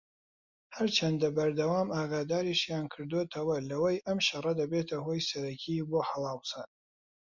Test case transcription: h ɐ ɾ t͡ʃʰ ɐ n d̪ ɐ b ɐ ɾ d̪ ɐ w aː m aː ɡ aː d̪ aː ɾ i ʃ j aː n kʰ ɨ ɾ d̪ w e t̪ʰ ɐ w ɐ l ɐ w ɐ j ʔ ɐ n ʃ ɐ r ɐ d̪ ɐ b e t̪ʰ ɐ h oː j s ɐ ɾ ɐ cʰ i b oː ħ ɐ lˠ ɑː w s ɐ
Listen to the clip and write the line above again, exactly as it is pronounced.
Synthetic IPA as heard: h ɐ ɾ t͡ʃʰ ɐ n d̪ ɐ b ɐ ɾ d̪ ɐ w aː m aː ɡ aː d̪ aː ɾ i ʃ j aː n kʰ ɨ ɾ d̪ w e t̪ʰ ɐ w ɐ l ɐ w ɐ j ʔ ɐ m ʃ ɐ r ɐ d̪ ɐ b e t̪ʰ ɐ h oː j s ɐ ɾ ɐ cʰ i b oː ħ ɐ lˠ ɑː w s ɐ